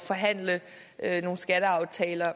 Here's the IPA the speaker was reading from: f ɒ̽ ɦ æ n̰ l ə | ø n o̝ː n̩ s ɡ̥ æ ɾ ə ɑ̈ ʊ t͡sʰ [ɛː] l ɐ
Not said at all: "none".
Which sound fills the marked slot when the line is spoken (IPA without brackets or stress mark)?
ɛː